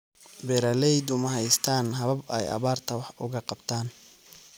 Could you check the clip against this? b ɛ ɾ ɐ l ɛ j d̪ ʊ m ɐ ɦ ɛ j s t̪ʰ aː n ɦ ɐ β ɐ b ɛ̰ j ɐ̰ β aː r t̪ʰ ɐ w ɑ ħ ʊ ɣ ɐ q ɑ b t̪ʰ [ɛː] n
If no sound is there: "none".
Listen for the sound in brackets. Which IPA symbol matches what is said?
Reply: aː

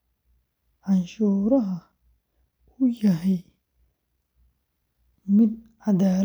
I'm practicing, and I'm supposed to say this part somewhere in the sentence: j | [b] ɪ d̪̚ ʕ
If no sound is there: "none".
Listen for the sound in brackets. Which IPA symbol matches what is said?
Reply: m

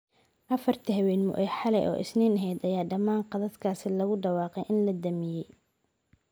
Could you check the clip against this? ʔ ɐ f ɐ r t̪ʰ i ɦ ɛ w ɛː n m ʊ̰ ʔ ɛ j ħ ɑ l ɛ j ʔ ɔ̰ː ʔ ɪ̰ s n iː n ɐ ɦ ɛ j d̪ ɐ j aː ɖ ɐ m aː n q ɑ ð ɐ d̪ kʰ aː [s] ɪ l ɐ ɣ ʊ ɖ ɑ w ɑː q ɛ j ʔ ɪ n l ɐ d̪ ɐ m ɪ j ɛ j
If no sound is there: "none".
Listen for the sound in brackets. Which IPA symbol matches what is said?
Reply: s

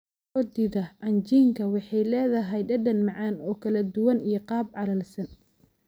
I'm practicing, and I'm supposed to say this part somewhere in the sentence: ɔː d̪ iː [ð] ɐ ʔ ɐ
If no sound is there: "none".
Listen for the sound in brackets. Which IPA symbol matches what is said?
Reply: ð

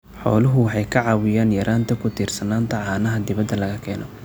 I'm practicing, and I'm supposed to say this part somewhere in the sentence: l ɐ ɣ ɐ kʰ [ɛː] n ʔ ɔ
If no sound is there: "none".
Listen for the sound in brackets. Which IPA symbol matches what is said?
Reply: ɛː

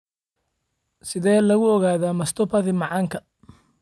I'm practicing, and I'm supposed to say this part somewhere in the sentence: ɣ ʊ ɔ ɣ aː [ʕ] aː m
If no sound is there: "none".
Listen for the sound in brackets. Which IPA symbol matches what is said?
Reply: ð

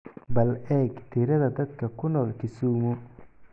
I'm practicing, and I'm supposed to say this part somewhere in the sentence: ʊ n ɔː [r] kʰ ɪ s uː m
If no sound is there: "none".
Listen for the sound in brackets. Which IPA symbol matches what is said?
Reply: l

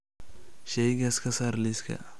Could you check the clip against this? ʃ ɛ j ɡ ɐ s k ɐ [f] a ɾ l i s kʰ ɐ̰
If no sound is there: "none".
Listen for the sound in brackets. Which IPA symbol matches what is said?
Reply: s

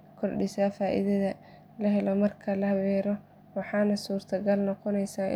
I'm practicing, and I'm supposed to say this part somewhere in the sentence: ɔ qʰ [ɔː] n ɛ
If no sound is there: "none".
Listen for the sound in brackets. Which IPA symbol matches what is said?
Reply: ɔ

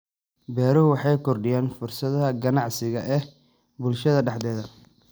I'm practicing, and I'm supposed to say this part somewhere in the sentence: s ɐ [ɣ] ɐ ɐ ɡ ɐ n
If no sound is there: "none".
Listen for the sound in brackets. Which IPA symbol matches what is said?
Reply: ð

